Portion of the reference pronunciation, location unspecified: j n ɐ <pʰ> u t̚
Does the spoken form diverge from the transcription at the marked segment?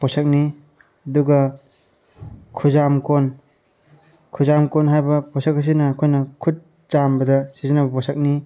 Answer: yes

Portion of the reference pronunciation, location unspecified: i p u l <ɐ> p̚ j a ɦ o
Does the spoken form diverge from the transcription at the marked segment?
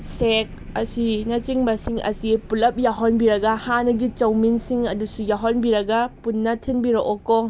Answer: no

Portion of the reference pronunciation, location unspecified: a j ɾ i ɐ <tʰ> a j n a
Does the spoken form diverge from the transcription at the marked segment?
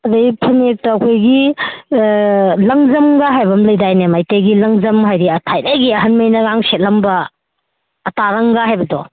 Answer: no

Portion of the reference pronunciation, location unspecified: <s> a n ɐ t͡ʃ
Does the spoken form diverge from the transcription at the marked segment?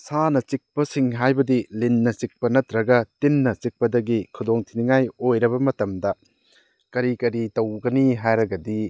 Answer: no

